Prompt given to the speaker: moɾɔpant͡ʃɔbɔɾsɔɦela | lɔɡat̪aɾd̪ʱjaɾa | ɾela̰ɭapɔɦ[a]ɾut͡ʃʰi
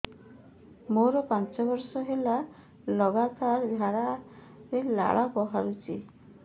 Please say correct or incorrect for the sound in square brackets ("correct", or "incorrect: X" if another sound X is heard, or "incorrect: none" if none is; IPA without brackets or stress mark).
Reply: correct